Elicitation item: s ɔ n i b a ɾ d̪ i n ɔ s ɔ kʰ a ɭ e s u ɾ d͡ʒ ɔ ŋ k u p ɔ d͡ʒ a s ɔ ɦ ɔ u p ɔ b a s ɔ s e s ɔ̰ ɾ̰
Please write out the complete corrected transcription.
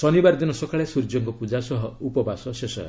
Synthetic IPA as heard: s ɔ n i b a ɾ d̪ i n ɔ s ɔ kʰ a ɭ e s u ɾ d͡ʒ ɔ ŋ k ɔ p u d͡ʒ a s ɔ ɦ ɔ u p ɔ b a s ɔ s e s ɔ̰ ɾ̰